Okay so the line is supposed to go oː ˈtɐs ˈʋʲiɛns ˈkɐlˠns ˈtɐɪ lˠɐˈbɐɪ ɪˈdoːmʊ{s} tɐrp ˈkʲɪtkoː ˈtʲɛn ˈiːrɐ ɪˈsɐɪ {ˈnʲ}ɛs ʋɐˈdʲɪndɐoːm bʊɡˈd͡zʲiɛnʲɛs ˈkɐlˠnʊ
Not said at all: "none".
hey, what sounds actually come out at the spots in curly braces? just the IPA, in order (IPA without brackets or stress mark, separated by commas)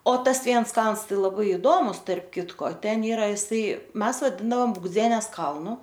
s, mʲ